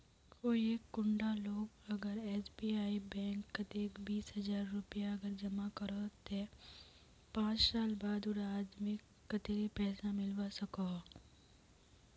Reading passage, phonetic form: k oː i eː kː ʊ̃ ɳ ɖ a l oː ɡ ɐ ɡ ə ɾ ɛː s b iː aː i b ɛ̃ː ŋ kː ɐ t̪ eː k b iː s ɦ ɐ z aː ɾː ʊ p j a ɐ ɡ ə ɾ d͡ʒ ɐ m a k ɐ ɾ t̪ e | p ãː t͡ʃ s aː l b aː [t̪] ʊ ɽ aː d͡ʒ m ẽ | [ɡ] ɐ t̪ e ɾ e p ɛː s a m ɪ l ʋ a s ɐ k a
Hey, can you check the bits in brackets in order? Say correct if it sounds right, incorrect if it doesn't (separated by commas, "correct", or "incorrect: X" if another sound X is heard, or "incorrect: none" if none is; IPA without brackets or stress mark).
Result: incorrect: d̪, incorrect: k